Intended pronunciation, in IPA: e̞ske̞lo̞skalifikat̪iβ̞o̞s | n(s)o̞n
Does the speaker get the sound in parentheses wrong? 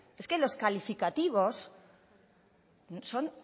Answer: no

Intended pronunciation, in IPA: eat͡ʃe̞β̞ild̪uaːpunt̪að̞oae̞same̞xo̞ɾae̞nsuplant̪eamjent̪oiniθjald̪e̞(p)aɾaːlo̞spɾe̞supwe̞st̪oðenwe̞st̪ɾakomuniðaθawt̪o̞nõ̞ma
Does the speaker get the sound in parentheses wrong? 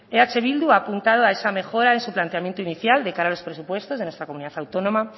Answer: yes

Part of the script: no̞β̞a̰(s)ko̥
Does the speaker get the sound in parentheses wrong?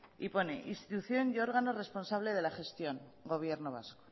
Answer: no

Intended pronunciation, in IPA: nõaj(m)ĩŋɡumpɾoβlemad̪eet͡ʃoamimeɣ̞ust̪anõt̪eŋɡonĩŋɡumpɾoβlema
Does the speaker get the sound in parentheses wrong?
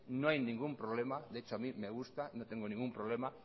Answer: yes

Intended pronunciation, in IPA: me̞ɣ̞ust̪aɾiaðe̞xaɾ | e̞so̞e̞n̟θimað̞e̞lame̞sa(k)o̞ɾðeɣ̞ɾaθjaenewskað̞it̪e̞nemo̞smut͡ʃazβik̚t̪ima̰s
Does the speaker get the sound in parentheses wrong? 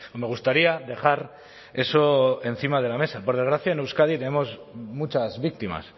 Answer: yes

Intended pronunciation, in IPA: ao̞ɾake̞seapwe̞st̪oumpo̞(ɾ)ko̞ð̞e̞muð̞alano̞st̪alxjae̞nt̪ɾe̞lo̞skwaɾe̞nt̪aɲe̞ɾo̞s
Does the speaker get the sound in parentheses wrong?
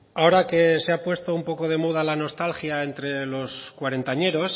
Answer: yes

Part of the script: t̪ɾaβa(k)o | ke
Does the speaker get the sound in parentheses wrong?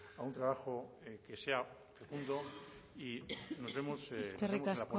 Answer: yes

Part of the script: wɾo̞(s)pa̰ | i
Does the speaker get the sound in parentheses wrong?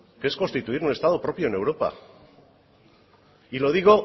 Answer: yes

